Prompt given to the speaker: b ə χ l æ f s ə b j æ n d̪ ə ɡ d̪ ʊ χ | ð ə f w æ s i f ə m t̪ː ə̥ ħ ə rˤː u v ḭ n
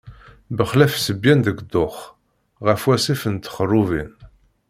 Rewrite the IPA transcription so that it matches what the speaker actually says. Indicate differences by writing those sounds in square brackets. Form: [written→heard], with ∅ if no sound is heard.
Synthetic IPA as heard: b ə χ l æ f s ə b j æ n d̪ ə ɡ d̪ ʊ χ | [ð→ʁ] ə f w æ s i f ə [m→n] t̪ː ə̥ [ħ→χ] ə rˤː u v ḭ n